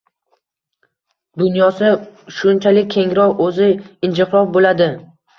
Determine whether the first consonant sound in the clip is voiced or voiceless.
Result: voiced